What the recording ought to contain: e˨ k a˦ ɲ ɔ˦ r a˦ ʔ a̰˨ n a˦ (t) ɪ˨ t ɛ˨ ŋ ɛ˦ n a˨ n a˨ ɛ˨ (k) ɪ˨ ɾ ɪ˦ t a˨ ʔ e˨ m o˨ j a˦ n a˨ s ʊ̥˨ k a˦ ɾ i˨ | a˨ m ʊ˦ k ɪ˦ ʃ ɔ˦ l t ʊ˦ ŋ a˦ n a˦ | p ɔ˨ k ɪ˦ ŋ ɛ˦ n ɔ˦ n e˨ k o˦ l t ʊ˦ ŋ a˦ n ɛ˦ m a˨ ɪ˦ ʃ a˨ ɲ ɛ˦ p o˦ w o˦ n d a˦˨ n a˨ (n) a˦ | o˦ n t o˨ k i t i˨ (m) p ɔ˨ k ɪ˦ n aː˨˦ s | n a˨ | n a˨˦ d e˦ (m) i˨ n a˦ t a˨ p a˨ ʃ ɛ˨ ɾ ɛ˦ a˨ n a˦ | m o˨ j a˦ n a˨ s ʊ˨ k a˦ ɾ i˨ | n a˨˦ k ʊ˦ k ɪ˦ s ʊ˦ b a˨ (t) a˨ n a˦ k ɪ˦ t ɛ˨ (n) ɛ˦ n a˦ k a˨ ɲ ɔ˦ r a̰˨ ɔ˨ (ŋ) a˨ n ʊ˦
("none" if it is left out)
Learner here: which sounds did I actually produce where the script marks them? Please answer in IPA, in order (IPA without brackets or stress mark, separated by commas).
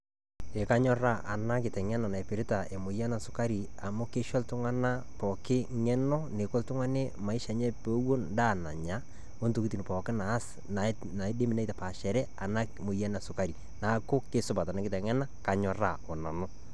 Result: k, p, ɲ, n, m, t, ŋ, n